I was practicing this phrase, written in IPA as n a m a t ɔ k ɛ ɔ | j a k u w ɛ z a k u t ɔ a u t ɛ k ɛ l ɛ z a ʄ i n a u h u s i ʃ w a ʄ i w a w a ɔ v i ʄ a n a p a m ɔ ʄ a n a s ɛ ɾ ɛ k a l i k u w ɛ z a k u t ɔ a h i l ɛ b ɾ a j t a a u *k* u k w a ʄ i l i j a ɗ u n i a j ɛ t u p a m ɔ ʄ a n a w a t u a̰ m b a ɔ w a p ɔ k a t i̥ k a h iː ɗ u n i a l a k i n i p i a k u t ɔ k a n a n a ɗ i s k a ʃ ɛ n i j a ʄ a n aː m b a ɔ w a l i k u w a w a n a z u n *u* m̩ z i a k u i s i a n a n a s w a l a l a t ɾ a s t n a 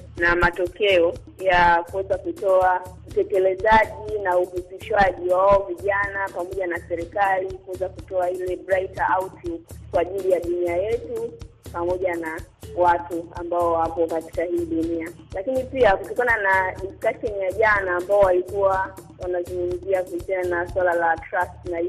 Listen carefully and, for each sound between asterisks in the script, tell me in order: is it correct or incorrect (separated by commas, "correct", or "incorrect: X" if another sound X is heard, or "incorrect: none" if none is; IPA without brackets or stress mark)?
incorrect: t, correct